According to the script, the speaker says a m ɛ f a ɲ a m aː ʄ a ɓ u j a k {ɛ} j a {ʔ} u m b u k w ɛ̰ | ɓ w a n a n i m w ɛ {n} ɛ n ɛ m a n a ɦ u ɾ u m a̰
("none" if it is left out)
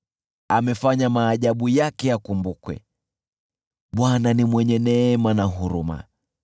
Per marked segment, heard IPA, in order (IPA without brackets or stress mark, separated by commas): ɛ, k, ɲ